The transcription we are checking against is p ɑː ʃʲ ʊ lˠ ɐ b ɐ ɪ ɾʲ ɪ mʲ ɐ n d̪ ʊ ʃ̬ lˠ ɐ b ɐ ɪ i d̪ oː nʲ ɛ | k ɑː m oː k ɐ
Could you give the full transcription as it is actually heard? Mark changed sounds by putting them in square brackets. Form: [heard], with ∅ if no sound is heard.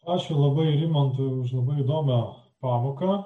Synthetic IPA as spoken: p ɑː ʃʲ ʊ lˠ ɐ b ɐ ɪ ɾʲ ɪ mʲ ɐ n [t̪] ʊ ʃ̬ lˠ ɐ b ɐ ɪ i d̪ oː [mʲ] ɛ | [p] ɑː m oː k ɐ